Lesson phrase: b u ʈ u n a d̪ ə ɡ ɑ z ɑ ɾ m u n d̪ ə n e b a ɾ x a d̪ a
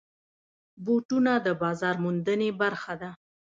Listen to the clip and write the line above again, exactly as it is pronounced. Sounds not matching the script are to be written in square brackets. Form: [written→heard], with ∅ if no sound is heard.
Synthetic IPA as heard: b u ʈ u n a d̪ ə [ɡ→b] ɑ z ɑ ɾ m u n d̪ ə n e b a ɾ x a d̪ a